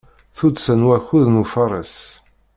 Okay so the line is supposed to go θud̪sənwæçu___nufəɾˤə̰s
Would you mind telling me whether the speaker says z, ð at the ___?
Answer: ð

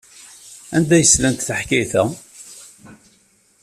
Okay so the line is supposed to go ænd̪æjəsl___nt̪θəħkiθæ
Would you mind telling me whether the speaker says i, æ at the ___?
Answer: æ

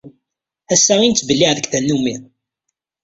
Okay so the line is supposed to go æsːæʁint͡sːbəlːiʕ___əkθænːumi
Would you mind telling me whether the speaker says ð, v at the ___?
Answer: ð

